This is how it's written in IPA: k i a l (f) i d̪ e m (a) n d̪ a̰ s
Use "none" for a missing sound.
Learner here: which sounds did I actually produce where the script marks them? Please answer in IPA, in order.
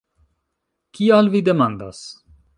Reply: v, a

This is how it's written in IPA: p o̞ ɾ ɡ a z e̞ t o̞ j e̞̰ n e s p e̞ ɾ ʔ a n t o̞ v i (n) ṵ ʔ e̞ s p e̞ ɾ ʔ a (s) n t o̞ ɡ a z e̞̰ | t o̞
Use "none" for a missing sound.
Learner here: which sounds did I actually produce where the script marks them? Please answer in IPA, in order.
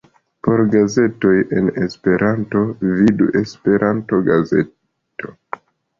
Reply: d, none

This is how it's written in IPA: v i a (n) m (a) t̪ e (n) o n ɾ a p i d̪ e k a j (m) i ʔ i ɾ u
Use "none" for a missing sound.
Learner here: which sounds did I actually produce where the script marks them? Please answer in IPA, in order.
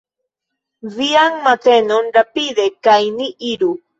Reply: ŋ, a, n, n

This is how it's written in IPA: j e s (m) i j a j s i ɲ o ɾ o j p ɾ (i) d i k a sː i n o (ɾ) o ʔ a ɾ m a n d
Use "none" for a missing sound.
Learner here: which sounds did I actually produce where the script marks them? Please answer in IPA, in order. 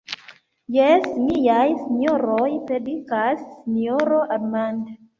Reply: m, e, ɾ

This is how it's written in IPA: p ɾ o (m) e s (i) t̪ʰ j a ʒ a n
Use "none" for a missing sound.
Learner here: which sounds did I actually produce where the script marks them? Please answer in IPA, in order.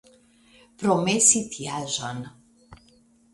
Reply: m, i

